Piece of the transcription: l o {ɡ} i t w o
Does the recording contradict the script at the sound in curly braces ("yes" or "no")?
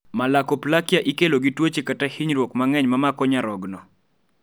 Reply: no